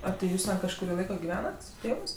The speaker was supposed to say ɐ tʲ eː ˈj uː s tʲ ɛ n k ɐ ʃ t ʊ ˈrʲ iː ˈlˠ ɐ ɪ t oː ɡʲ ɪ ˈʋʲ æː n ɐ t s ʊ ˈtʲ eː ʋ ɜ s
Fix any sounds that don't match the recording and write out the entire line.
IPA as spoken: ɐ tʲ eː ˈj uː s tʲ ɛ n k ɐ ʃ k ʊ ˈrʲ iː ˈlˠ ɐ ɪ k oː ɡʲ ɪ ˈʋʲ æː n ɐ t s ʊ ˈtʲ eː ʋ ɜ s